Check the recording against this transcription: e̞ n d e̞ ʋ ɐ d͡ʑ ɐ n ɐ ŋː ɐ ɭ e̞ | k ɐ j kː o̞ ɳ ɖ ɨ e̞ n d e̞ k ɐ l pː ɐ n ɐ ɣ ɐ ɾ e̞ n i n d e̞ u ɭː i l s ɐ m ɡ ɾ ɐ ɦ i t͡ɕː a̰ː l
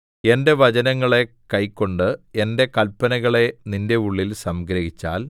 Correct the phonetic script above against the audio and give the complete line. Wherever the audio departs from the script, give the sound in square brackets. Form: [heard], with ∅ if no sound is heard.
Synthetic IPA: e̞ n d e̞ ʋ ɐ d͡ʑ ɐ n ɐ ŋː ɐ ɭ e̞ | k ɐ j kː o̞ ɳ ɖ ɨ e̞ n d e̞ k ɐ l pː ɐ n ɐ ɣ ɐ [ɭ] e̞ n i n d e̞ u ɭː i l s ɐ m ɡ ɾ ɐ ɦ i t͡ɕː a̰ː l